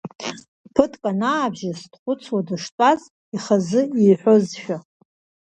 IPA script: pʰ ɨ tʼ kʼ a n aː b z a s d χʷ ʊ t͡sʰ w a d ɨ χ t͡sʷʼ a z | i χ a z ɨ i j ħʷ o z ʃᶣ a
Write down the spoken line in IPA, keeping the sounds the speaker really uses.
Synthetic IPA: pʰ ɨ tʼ kʼ a n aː b ʒ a s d χʷ ʊ t͡sʰ w a d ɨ ʂ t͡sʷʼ a z | i χ a z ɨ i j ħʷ o z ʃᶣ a